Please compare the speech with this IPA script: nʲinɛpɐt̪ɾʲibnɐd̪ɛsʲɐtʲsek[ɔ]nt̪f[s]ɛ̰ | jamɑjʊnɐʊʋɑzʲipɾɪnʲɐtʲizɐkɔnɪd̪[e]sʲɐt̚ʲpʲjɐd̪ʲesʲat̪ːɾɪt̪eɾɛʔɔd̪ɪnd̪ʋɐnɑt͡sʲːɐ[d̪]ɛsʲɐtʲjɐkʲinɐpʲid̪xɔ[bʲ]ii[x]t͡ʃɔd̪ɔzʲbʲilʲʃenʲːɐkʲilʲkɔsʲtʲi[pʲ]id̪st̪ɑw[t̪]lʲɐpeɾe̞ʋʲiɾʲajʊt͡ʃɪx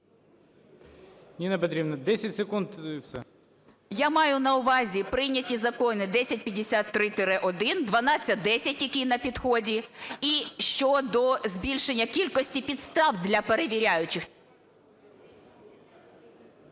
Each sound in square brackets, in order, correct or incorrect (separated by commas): incorrect, correct, incorrect, correct, incorrect, incorrect, correct, incorrect